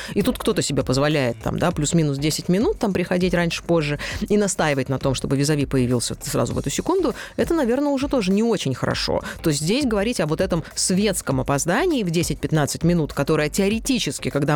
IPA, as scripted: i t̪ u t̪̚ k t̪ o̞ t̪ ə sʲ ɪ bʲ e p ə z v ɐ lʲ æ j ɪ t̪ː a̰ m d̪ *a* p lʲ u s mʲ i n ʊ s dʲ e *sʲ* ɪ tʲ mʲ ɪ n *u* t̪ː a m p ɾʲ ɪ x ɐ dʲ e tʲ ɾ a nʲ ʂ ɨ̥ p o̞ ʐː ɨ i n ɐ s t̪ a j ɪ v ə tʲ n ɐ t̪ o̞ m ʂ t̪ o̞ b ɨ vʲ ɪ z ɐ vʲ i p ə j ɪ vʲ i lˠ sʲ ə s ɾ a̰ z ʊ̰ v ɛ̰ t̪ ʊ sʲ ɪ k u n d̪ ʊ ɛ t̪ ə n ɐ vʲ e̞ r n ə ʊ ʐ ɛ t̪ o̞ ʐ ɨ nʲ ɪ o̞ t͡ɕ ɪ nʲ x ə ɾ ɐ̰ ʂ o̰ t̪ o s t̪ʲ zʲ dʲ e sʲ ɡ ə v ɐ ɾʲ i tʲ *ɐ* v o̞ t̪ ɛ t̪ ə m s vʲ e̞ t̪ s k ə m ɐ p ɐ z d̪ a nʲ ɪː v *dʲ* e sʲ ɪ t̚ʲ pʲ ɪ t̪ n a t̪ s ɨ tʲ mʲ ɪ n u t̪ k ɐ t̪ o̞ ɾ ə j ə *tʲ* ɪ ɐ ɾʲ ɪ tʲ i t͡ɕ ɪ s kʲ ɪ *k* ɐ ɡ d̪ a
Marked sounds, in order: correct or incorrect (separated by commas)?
correct, correct, correct, correct, correct, correct, correct